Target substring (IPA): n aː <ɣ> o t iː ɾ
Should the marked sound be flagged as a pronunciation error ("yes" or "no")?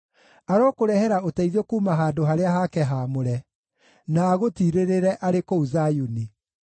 no